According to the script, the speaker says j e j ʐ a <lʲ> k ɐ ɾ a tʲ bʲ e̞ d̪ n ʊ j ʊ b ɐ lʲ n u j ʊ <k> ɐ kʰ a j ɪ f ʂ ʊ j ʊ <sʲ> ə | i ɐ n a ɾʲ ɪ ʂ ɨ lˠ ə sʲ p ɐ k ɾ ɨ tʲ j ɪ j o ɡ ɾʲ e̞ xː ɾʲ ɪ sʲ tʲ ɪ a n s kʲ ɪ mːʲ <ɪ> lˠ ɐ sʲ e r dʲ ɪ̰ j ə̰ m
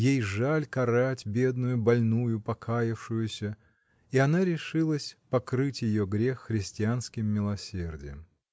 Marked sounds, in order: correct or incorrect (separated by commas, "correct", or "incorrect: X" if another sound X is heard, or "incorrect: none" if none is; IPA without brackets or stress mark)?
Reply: correct, incorrect: p, correct, correct